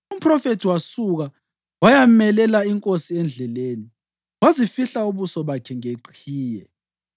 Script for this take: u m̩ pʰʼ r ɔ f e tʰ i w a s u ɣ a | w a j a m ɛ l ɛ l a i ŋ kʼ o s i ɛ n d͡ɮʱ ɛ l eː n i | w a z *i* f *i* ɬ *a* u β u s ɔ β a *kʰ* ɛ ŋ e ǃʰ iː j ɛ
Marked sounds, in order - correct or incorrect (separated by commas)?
correct, correct, correct, correct